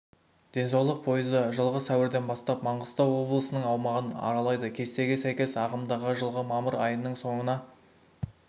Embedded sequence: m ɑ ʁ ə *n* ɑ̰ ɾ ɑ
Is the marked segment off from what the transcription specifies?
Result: no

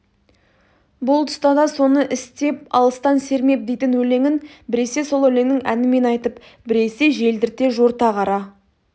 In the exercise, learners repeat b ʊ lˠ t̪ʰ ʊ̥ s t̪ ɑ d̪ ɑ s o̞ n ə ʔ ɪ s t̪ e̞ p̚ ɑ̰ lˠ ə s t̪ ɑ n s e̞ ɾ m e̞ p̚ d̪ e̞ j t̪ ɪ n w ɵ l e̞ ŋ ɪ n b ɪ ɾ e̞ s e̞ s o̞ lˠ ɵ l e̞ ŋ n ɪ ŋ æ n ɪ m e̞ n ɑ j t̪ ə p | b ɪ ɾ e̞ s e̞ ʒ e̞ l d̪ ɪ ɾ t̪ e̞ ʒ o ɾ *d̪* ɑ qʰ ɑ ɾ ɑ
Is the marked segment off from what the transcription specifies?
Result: yes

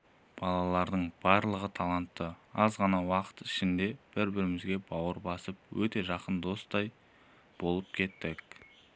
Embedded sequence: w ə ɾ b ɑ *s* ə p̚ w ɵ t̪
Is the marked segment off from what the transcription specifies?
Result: no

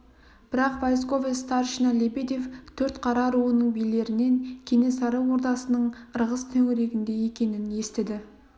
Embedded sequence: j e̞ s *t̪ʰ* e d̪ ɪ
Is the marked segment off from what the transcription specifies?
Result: yes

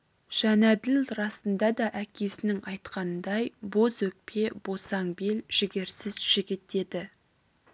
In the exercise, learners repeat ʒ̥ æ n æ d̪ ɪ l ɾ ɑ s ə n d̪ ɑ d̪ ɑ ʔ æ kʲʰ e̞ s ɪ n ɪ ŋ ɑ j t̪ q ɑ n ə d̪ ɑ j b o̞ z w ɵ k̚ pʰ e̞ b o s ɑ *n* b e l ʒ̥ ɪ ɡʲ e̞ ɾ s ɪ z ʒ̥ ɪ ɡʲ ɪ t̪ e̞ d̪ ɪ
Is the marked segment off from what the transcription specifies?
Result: yes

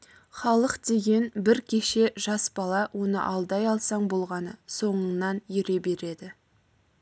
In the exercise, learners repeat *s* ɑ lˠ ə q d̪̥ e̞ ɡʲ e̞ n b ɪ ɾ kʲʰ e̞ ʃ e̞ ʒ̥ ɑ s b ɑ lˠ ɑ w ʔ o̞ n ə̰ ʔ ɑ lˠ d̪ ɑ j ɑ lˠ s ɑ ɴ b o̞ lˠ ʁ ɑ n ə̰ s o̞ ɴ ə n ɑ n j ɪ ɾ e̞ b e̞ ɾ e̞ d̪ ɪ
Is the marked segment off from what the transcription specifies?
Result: yes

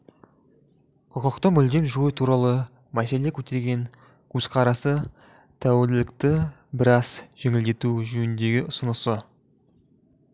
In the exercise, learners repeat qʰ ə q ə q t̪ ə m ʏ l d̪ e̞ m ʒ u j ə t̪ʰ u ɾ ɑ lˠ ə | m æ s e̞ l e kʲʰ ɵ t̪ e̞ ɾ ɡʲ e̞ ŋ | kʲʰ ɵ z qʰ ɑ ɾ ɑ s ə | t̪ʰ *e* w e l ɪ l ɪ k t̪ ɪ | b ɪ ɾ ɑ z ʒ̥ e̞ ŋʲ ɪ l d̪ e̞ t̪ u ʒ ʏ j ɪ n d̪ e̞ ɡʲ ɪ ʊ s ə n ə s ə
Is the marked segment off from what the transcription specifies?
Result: yes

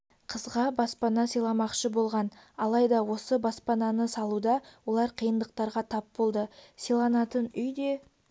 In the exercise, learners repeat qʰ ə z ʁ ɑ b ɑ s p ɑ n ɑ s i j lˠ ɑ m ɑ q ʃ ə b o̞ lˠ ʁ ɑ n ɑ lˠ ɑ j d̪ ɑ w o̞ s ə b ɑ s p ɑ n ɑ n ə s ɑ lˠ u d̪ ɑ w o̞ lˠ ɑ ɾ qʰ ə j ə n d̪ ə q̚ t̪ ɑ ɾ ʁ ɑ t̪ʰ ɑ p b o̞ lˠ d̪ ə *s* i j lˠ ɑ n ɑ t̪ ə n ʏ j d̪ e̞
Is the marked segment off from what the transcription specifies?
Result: no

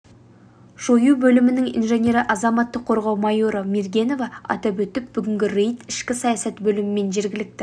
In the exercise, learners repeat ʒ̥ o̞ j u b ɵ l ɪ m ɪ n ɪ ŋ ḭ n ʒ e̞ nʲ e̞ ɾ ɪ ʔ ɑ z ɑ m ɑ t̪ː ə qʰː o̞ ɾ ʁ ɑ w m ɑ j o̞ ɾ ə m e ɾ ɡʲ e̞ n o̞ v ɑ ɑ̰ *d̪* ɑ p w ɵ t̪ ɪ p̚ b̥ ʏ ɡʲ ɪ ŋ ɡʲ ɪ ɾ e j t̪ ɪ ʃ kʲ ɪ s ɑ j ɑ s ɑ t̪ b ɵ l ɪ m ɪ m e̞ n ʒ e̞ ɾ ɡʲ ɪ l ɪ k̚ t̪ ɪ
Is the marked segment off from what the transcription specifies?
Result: yes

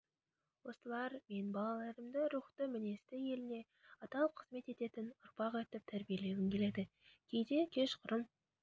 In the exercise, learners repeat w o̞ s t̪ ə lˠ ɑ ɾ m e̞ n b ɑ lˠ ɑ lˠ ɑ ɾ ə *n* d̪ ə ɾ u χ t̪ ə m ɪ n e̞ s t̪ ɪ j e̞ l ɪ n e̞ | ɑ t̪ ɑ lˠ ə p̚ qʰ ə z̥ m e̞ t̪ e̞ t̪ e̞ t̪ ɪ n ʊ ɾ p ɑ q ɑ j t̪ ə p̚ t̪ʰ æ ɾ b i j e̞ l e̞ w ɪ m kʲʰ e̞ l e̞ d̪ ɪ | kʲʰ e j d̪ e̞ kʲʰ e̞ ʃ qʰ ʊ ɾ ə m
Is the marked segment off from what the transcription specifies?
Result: yes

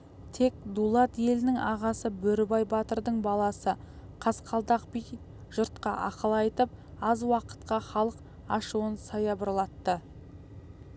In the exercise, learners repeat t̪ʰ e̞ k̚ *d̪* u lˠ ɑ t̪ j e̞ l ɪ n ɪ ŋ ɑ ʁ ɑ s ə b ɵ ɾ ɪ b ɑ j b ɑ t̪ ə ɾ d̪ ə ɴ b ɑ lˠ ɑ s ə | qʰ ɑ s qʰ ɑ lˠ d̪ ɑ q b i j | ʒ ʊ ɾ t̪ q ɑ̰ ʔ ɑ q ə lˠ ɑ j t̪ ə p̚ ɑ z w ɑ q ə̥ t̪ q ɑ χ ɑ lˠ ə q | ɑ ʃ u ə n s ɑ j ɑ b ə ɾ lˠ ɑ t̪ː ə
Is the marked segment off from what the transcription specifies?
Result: no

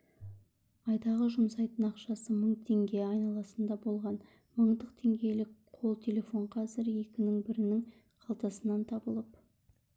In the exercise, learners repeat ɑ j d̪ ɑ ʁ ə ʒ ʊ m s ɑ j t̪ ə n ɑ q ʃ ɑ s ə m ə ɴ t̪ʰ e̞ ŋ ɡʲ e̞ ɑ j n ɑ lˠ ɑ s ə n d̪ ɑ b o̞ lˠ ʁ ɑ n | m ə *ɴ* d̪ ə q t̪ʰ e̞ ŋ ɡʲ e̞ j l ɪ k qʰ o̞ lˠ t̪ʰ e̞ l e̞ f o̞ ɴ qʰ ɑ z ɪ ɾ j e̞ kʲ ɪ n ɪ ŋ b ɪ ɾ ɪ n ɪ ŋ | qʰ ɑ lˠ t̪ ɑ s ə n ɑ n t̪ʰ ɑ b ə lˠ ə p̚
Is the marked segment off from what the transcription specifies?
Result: no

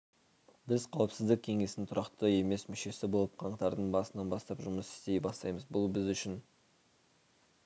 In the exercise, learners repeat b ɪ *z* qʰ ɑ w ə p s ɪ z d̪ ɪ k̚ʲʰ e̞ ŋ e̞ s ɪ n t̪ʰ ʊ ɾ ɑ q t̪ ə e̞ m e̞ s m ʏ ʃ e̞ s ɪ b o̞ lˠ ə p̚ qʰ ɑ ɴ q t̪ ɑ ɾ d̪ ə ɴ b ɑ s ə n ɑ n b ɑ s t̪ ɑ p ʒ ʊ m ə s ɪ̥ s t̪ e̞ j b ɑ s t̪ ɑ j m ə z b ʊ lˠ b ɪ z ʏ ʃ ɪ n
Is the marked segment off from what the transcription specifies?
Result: no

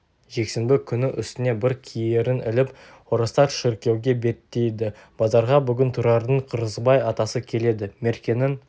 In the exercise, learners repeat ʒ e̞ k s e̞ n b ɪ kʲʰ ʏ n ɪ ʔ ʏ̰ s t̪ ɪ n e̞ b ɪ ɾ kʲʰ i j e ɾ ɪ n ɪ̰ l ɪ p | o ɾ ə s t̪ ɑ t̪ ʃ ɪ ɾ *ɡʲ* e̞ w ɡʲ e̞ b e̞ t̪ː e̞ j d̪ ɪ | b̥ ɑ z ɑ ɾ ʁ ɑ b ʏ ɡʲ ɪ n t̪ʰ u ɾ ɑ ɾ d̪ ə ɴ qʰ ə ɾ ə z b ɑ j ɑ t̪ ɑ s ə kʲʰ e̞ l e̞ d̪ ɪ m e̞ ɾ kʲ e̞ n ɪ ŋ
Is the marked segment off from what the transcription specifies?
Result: yes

